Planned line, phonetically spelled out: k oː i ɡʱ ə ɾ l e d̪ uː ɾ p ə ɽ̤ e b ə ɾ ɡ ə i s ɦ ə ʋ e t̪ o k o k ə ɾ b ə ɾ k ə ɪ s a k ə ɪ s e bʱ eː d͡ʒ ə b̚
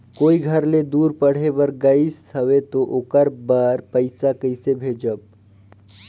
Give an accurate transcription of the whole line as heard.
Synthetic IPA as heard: k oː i ɡʱ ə ɾ l e d̪ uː ɾ p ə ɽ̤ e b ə ɾ ɡ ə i s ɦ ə ʋ e t̪ o ʔ o k ə ɾ b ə ɾ p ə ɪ s a k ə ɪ s e bʱ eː d͡ʒ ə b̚